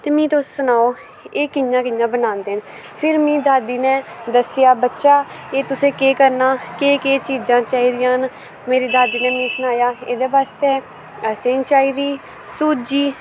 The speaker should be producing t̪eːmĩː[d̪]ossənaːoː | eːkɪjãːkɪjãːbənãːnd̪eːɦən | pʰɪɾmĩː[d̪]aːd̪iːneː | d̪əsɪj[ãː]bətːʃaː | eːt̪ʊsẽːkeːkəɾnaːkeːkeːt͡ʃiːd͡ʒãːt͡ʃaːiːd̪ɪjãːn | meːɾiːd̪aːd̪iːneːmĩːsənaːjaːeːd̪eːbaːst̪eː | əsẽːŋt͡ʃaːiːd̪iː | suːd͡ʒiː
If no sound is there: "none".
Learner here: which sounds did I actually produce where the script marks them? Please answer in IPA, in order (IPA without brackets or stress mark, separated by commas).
t̪, d̪, aː